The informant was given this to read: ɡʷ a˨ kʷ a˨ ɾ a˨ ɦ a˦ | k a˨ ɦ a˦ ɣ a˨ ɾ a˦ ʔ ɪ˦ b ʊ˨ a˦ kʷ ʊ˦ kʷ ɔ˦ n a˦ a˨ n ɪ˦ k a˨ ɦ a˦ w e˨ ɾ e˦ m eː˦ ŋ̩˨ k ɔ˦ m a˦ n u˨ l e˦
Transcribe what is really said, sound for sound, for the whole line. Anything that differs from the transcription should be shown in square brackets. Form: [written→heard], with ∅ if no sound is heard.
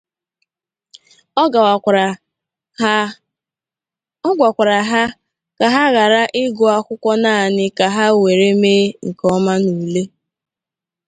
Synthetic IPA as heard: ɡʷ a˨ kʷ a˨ ɾ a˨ ɦ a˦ | k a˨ ɦ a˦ ɣ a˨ ɾ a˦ ʔ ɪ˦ [b→ɡ] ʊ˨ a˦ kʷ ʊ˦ kʷ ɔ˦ n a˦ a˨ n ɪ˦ k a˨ ɦ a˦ w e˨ ɾ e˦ m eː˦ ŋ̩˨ k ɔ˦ m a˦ n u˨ l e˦